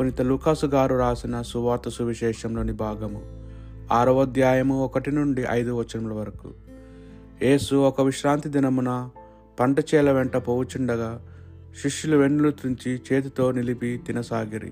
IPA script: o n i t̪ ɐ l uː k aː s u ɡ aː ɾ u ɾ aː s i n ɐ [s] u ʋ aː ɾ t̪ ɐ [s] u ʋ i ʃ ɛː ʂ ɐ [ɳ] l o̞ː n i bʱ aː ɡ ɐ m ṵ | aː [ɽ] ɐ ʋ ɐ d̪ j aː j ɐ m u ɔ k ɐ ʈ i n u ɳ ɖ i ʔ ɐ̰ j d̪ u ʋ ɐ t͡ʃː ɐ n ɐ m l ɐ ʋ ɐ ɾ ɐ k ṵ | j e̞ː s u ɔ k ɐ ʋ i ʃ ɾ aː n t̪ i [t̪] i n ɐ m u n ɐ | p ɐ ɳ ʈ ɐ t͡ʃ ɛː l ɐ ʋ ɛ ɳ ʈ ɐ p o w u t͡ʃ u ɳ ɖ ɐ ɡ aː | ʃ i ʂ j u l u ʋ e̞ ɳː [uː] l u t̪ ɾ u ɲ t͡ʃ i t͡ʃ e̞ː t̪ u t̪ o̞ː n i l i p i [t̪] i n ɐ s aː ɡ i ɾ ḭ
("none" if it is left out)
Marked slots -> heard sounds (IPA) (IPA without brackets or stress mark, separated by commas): s, s, m, ɾ, d̪, u, t̪